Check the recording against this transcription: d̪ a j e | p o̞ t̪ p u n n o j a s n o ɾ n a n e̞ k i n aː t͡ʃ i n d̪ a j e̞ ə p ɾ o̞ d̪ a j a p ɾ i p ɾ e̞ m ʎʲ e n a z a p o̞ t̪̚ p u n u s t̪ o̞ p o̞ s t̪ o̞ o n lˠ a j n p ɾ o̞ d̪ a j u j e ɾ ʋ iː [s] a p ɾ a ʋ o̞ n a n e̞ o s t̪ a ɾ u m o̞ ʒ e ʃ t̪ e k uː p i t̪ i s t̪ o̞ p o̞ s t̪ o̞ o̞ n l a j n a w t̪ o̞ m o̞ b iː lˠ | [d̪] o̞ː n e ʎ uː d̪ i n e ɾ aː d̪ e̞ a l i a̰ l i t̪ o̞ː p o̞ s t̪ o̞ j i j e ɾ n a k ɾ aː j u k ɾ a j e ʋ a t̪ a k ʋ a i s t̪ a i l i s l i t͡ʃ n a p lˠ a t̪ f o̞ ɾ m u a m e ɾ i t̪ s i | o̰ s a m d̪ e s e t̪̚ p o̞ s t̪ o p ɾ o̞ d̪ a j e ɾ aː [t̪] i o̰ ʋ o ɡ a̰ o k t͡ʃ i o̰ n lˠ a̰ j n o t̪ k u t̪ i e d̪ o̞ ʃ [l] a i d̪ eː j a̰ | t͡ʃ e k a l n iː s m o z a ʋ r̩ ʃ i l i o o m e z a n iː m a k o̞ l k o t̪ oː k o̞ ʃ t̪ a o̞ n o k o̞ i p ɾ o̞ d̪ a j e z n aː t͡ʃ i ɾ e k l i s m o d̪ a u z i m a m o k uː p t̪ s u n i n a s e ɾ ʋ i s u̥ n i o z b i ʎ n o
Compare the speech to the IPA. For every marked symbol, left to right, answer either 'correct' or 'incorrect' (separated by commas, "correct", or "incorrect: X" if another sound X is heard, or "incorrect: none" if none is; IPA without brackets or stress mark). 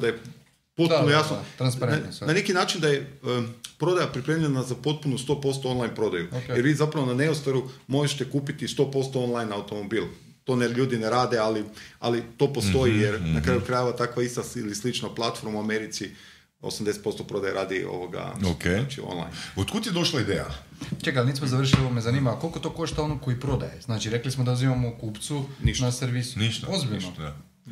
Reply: incorrect: z, incorrect: t̪, incorrect: d̪, correct